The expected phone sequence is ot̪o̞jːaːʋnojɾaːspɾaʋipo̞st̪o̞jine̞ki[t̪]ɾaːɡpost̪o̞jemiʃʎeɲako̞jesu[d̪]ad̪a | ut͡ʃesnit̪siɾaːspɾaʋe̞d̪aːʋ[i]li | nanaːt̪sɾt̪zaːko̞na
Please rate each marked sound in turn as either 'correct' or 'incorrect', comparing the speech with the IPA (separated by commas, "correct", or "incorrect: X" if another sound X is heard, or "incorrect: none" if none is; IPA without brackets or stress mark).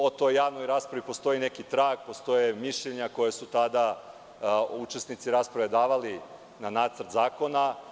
correct, incorrect: t̪, incorrect: a